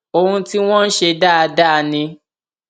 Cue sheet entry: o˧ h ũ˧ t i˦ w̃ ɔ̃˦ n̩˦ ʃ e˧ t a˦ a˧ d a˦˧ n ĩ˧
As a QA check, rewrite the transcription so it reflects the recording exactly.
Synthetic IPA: o˧ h ũ˧ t i˦ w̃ ɔ̃˦ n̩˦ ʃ e˧ d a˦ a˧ d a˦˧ n ĩ˧